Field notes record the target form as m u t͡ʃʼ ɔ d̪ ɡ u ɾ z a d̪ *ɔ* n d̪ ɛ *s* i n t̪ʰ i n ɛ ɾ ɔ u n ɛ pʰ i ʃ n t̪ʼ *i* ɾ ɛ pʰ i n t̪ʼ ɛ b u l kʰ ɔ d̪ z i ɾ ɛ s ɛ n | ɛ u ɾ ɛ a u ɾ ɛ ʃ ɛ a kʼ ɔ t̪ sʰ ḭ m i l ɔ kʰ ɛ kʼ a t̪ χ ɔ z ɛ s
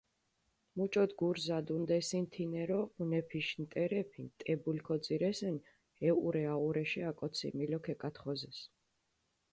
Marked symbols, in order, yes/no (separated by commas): no, yes, no